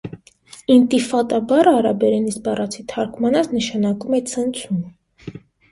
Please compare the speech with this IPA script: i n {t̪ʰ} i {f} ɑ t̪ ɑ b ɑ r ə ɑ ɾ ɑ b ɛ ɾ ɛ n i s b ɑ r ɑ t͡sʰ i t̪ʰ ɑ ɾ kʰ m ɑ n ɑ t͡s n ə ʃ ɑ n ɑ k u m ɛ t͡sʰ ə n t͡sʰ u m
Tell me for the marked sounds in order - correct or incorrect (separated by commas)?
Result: incorrect, correct